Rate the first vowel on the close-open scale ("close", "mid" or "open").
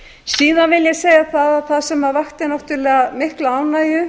close